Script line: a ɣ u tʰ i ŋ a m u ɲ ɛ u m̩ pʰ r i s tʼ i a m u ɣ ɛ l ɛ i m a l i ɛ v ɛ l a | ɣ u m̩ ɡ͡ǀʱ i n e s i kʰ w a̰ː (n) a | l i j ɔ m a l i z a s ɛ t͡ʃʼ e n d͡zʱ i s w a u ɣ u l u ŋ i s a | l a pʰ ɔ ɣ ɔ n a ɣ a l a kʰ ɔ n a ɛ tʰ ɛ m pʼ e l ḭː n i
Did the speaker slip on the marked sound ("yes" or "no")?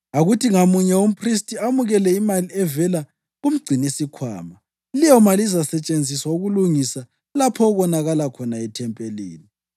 yes